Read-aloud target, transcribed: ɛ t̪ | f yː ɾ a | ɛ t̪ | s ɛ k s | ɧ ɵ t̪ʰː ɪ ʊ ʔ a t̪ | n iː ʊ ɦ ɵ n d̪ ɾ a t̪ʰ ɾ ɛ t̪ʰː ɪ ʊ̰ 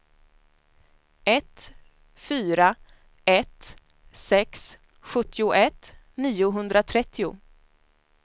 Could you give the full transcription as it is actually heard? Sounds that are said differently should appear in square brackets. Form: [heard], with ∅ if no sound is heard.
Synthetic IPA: ɛ t̪ | f yː ɾ a | ɛ t̪ | s ɛ k s | ɧ ɵ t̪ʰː ɪ ʊ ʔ [ɛ] t̪ | n iː ʊ ɦ ɵ n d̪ ɾ a t̪ʰ ɾ ɛ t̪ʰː ɪ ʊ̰